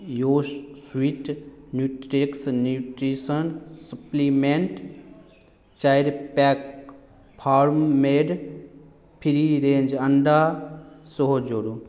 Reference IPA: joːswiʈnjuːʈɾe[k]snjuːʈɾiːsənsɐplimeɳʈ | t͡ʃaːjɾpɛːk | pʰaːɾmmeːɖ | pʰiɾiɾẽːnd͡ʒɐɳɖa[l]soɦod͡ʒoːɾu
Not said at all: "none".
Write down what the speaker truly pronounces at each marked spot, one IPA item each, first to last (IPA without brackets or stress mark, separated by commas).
k, none